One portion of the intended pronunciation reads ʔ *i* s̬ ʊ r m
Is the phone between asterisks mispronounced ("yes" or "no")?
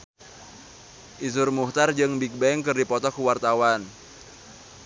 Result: no